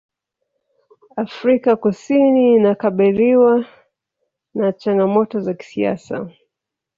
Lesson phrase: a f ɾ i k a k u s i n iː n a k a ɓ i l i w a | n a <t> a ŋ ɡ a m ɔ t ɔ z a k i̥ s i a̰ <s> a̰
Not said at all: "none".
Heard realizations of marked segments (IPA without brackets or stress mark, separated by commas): t͡ʃ, s